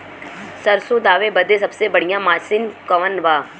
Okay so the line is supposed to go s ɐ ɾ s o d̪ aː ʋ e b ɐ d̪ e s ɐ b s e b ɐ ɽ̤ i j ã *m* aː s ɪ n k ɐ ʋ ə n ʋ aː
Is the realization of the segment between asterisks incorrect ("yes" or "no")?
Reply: no